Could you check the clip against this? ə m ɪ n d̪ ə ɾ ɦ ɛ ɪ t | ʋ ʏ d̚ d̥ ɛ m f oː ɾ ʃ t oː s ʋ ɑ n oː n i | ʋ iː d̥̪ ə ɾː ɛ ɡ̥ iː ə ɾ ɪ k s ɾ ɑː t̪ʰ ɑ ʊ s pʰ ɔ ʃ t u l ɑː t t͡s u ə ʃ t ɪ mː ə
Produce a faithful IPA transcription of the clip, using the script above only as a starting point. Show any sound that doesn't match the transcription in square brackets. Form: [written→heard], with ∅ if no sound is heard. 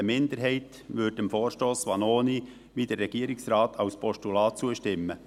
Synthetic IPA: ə m ɪ n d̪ ə ɾ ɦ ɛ ɪ t | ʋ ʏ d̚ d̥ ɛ m f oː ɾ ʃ t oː s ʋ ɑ n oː n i | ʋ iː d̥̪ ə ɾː ɛ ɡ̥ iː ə ɾ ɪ k s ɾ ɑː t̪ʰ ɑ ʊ s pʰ ɔ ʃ t u l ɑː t t͡s u ə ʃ t ɪ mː ə